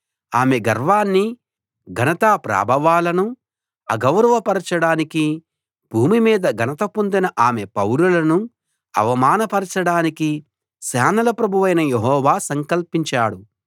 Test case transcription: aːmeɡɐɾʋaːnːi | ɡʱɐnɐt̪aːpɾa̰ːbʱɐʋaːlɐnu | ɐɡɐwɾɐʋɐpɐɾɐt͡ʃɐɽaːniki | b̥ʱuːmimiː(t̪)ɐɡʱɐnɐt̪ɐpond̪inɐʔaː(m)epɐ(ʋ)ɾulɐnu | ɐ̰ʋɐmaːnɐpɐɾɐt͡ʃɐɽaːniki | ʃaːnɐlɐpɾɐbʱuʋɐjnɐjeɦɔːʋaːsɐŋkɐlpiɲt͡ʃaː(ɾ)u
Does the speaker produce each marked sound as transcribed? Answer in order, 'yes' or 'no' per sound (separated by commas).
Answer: no, yes, no, no